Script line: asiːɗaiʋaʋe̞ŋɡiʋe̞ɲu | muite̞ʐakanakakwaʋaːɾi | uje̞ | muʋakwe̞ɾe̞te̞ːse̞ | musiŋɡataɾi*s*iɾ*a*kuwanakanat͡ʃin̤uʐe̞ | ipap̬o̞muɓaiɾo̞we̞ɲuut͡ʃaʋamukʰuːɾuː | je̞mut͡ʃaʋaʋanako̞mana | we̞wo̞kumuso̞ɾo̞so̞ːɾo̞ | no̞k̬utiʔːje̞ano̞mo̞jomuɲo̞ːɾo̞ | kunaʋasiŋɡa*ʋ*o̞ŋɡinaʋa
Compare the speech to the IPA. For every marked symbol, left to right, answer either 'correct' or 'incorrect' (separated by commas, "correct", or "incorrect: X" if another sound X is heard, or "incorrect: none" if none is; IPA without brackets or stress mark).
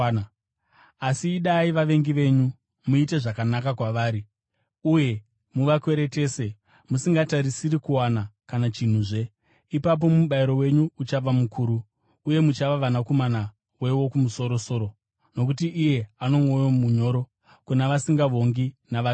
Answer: correct, incorrect: i, correct